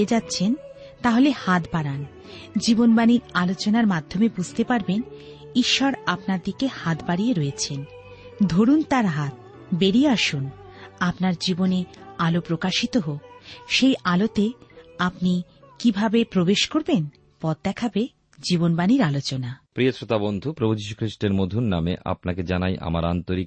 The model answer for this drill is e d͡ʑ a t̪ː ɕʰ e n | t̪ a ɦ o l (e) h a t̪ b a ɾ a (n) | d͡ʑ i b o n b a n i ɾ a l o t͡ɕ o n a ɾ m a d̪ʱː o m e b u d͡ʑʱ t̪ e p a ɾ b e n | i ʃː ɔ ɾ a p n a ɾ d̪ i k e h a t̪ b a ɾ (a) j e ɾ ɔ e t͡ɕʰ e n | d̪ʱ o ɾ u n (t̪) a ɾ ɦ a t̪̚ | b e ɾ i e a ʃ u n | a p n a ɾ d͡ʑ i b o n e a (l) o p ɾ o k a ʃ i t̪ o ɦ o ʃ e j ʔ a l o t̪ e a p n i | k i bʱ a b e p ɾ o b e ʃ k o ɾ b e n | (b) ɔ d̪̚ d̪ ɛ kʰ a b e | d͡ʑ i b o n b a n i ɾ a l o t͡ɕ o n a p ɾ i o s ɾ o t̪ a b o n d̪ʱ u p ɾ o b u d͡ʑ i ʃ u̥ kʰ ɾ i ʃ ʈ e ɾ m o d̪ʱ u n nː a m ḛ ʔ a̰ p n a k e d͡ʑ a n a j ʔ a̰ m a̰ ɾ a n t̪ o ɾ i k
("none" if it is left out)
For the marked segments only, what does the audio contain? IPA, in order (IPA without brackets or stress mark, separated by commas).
e, n, i, t̪, l, p